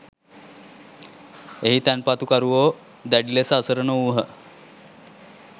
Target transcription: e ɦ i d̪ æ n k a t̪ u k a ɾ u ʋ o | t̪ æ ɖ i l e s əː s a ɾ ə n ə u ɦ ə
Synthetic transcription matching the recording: e ɦ i t̪ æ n p a t̪ u k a ɾ u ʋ o | d̪ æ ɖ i l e s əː s ə ɾ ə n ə u ɦ ə